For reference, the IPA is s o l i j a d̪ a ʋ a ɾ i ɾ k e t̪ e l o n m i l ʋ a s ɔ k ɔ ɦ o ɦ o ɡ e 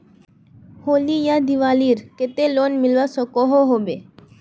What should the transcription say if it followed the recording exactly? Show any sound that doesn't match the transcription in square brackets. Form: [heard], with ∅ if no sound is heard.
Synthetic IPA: [h] o l i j a d̪ [i] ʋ a [l] i ɾ k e t̪ e l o n m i l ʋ a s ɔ k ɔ ɦ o ɦ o [b] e